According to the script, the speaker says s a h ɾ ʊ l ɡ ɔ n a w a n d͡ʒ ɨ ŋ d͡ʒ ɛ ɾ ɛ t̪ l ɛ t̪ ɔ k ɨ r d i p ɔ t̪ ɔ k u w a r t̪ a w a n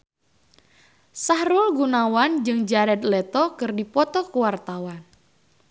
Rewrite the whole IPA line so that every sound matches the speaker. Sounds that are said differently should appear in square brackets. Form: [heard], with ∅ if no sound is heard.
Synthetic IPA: s a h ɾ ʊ l ɡ [u] n a w a n d͡ʒ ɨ ŋ d͡ʒ [a] ɾ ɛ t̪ l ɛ t̪ ɔ k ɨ r d i p ɔ t̪ ɔ k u w a r t̪ a w a n